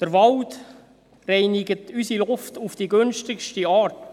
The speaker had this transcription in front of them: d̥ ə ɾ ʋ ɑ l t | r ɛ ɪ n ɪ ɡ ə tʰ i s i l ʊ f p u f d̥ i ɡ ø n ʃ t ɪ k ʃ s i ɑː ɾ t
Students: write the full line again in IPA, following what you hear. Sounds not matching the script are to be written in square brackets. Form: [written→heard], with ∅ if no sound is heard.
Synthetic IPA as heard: d̥ ə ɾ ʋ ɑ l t | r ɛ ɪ n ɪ ɡ ə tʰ [i→y] s i l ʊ f [p→t] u f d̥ i ɡ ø n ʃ t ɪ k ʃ [s→t] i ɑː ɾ t